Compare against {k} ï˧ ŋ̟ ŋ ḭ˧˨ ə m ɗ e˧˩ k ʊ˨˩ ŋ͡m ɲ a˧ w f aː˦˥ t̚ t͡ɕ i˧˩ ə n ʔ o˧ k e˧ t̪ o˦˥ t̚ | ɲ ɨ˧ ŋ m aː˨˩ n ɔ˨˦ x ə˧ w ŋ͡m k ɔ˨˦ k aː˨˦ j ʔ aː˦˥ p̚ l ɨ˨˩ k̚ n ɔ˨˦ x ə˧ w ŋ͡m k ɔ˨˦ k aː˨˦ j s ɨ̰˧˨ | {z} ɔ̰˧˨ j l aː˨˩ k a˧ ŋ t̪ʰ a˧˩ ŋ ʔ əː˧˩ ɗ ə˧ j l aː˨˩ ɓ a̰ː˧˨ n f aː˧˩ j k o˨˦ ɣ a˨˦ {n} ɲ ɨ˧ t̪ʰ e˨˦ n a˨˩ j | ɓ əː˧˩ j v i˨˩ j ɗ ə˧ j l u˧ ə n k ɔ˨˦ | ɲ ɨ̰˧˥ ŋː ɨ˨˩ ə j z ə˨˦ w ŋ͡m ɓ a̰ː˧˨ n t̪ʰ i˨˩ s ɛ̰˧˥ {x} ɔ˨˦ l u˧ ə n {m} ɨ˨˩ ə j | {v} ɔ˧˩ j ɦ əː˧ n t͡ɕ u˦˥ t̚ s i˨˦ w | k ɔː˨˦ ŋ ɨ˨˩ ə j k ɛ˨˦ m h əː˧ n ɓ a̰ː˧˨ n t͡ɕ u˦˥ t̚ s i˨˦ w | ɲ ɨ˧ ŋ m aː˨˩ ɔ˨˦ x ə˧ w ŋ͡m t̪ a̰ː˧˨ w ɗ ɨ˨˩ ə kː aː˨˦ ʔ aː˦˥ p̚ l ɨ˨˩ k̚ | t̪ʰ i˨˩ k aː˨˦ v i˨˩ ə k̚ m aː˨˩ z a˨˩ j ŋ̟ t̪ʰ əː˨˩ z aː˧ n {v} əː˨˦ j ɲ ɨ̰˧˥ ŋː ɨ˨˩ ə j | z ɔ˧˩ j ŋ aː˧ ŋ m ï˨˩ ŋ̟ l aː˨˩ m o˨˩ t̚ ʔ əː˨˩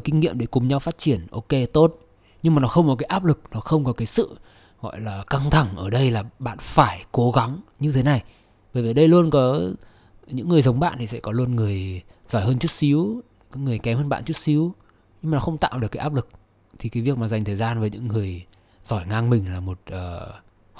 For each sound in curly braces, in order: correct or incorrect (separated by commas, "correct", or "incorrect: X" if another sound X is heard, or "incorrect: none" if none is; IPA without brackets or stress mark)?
correct, incorrect: ɣ, incorrect: ŋ, incorrect: k, incorrect: ŋ, incorrect: z, correct